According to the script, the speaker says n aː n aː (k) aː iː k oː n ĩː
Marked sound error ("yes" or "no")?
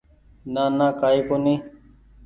no